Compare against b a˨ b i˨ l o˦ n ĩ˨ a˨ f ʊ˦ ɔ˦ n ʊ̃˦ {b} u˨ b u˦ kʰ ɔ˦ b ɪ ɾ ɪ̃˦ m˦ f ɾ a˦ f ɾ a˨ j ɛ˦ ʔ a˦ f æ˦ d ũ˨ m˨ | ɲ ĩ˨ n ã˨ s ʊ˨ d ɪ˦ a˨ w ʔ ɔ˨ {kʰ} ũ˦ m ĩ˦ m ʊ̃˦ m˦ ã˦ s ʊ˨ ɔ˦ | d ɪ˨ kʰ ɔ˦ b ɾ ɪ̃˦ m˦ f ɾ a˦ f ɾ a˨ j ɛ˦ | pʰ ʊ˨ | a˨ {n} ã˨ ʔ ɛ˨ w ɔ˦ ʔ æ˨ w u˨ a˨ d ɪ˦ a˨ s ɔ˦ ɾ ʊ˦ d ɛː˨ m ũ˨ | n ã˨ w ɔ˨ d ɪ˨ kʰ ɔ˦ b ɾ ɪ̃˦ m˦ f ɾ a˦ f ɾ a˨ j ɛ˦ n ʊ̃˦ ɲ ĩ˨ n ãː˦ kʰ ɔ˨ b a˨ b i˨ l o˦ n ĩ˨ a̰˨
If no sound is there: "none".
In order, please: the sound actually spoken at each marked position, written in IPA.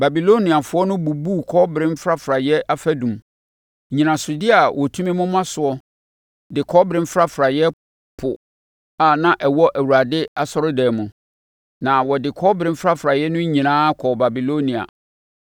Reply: b, tʰ, n

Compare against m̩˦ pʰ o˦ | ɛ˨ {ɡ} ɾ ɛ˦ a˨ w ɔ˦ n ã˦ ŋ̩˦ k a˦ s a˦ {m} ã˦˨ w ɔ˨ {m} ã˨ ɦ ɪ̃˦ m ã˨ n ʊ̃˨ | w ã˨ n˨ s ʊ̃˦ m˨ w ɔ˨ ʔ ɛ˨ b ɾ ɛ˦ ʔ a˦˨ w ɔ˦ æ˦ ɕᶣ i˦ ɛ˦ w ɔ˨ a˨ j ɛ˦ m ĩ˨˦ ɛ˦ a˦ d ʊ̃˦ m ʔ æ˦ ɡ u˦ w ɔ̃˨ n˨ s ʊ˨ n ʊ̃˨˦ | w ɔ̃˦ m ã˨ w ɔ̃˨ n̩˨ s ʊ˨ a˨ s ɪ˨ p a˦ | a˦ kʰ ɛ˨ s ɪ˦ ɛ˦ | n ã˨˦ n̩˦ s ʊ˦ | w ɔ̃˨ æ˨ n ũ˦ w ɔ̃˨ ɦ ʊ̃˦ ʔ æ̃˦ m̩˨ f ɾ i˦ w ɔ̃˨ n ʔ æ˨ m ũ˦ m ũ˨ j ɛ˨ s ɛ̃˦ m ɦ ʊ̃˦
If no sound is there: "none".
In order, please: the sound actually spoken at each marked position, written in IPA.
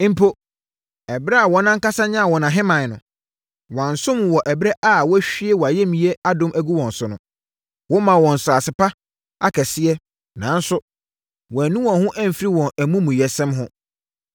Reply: b, ɲ, n

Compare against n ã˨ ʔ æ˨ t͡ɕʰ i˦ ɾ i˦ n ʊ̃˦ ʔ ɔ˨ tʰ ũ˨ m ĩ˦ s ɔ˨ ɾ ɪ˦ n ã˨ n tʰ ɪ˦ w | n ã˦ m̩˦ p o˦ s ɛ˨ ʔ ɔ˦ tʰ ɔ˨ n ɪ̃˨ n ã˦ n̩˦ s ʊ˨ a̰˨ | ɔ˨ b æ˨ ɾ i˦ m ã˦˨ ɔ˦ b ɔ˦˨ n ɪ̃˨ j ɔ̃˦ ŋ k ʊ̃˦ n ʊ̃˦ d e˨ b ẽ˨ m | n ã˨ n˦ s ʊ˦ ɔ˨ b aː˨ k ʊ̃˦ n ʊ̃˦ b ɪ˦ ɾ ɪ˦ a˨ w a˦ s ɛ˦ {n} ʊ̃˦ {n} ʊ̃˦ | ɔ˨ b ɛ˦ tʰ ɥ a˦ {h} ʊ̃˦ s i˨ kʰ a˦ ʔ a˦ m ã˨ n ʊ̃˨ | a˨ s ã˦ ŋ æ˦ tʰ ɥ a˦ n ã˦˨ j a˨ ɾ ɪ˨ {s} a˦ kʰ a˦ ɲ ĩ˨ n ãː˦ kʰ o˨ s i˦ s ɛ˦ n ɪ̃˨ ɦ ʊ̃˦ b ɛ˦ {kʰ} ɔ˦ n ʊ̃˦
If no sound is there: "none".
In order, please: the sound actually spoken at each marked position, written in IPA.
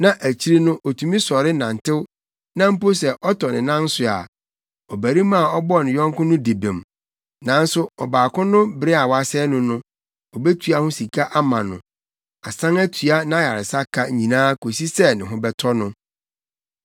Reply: n, n, h, s, tʰ

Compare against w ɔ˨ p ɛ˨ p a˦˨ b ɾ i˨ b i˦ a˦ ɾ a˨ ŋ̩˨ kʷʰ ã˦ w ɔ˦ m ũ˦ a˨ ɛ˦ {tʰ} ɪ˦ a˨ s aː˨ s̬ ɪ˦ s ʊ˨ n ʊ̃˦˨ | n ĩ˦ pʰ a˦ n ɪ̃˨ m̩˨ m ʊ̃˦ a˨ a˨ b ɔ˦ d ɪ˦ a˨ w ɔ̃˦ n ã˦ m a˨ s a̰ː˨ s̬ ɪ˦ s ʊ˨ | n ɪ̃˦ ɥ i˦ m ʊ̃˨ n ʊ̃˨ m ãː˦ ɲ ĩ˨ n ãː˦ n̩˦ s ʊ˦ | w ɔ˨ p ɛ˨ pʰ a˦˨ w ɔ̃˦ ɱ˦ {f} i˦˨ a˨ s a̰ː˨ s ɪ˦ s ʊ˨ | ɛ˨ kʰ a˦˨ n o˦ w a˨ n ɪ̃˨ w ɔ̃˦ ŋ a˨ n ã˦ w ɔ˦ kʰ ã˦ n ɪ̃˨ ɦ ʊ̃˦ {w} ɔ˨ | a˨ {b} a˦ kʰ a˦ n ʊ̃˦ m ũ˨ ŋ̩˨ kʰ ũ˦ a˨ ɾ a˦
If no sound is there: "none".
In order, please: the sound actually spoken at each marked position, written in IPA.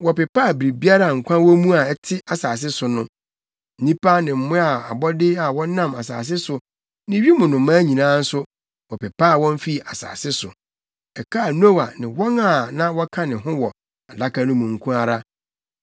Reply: tʰ, f, w, d

